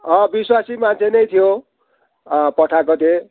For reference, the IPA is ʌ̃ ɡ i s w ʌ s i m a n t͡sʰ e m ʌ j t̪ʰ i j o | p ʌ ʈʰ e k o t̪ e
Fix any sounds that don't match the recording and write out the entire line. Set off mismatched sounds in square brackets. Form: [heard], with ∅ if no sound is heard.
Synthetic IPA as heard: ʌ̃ [b] i s w [a] s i m a n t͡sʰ e [n] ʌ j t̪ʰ i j o | p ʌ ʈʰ [a] k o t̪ e